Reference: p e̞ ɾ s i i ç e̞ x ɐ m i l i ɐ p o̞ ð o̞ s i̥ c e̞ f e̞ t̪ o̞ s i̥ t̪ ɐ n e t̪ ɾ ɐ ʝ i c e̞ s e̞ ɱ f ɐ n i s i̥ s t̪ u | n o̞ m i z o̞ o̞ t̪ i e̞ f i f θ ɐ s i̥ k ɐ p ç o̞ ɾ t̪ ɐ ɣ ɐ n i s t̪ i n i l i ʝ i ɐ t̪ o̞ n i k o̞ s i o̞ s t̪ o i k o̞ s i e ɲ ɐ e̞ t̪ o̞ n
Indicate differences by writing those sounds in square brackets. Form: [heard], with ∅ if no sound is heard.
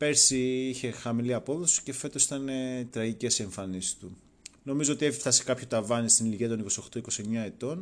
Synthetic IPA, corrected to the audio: p e̞ ɾ s i i ç e̞ x ɐ m i l i ɐ p o̞ ð o̞ s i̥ c e̞ f e̞ t̪ o̞ s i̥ t̪ ɐ n e t̪ ɾ ɐ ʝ i c e̞ s e̞ ɱ f ɐ n i s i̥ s t̪ u | n o̞ m i z o̞ o̞ t̪ i e̞ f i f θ ɐ s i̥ k ɐ p ç o̞ [∅] t̪ ɐ [v] ɐ n i s t̪ i n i l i ʝ i ɐ t̪ o̞ n i k o̞ s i o̞ [x] t̪ o i k o̞ s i e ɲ ɐ e̞ t̪ o̞ n